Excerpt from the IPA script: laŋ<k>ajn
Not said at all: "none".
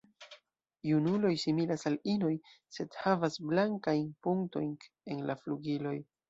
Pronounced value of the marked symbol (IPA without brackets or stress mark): k